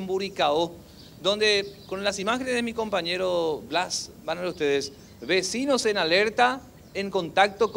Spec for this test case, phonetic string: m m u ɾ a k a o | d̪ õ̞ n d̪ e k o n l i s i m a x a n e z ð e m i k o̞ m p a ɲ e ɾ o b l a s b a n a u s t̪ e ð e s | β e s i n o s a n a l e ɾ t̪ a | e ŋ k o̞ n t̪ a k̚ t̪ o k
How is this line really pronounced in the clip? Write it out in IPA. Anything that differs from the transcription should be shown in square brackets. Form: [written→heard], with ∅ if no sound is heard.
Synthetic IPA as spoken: m [m→b] u ɾ [a→i] k a o | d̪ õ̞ n d̪ e k o n l [i→a] s i m a x [a→e] n e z ð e m i k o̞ m p a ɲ e ɾ o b l a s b a n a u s t̪ e ð e s | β e s i n o s [a→e] n a l e ɾ t̪ a | e ŋ k o̞ n t̪ a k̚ t̪ o k